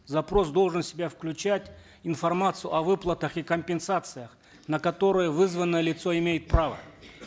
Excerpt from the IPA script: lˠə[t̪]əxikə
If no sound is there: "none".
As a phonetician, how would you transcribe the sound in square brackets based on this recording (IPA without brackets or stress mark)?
t̪